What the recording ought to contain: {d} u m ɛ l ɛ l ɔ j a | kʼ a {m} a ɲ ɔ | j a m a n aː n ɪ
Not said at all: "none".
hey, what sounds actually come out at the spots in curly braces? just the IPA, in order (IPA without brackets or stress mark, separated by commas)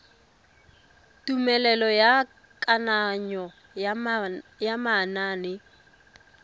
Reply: t, n